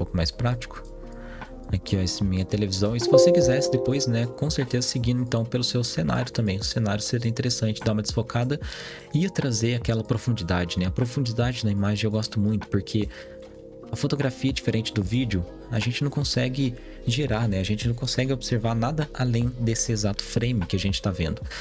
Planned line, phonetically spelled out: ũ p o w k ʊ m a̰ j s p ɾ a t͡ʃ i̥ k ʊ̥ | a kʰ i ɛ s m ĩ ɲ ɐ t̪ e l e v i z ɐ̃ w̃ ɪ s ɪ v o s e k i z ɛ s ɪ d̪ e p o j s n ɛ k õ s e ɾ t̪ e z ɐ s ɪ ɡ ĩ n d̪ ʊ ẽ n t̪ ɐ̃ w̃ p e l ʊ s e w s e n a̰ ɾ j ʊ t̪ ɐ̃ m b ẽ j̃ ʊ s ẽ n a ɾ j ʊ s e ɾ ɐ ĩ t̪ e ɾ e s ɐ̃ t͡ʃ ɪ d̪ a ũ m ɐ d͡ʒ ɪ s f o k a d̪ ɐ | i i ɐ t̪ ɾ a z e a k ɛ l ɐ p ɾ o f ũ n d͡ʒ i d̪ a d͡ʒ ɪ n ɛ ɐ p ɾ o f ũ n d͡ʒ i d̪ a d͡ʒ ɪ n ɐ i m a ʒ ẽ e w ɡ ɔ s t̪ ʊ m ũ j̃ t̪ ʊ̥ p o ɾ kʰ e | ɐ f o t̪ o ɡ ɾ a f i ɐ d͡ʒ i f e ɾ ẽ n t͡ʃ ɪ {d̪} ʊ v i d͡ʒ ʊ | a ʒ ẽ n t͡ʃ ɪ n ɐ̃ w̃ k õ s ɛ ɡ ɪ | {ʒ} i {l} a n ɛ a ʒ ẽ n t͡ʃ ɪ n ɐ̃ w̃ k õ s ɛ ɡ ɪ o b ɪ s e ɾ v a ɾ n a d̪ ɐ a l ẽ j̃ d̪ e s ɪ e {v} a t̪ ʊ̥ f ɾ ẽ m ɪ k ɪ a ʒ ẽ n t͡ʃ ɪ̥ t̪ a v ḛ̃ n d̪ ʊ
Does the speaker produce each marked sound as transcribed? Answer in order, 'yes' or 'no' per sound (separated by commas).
yes, yes, no, no